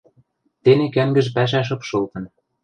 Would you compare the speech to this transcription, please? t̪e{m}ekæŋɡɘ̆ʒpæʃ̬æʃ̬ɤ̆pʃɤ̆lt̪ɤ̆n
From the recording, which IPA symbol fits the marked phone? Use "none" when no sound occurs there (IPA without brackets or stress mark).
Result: n